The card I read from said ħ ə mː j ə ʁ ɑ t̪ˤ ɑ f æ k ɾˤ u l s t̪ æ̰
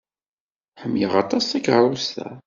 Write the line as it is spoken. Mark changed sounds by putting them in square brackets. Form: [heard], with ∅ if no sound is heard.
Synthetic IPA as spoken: ħ ə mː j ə ʁ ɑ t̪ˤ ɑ [s] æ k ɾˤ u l s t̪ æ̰